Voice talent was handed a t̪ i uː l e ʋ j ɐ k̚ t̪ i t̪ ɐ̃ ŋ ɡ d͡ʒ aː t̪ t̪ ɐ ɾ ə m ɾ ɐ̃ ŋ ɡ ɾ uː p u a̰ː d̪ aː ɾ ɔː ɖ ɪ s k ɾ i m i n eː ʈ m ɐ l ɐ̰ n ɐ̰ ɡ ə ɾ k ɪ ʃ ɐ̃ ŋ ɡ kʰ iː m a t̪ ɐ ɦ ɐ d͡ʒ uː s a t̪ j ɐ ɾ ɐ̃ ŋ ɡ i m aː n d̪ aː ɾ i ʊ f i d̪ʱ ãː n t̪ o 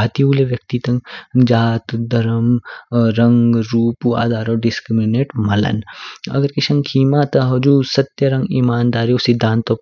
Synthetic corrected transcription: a t̪ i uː l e ʋ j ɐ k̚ t̪ i t̪ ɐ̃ ŋ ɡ d͡ʒ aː t̪ d̪ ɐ ɾ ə m ɾ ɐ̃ ŋ ɡ ɾ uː p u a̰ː d̪ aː ɾ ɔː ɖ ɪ s k ɾ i m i n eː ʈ m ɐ l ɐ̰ n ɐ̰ ɡ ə ɾ k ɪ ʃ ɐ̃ ŋ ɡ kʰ iː m a t̪ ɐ ɦ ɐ d͡ʒ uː s ɐ t̪ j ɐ ɾ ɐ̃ ŋ ɡ i m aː n d̪ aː ɾ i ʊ s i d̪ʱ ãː n t̪ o

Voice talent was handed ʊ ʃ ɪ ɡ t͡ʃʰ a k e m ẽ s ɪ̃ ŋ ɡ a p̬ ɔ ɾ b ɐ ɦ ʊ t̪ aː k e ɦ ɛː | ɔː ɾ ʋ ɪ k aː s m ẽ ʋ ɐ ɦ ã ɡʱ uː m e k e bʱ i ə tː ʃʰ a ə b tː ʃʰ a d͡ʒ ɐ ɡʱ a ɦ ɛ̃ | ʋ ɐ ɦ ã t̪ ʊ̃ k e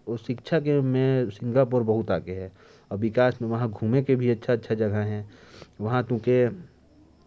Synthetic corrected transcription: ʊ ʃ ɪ k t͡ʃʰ a k e m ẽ s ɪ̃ ŋ ɡ a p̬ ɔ ɾ b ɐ ɦ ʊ t̪ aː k e ɦ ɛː | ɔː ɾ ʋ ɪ k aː s m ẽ ʋ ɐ ɦ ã ɡʱ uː m e k e bʱ i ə tː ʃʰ a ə tː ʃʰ a d͡ʒ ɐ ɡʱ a ɦ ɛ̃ | ʋ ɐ ɦ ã t̪ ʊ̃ k e

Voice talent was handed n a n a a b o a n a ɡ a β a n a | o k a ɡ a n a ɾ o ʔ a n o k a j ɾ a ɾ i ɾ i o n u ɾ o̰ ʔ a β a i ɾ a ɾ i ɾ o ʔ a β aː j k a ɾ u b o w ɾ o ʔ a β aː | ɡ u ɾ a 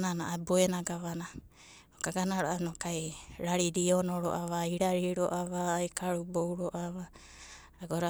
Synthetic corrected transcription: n a n a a b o e n a ɡ a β a n a | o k a ɡ a n a ɾ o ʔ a n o k a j ɾ a ɾ i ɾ i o n o ɾ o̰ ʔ a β a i ɾ a ɾ i ɾ o ʔ a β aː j k a ɾ u b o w ɾ o ʔ a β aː | ɡ o ɾ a

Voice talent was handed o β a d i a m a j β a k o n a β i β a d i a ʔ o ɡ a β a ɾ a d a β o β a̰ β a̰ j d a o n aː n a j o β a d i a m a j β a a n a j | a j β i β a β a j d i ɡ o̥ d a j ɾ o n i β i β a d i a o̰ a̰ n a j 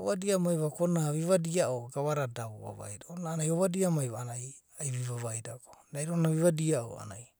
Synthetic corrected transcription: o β a d i a m a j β a k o n a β i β a d i a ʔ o ɡ a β a ɾ a d a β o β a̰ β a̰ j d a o n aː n a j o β a d i a m a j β a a n a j | a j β i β a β a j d a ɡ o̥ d a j ɾ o n a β i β a d i a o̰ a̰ n a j

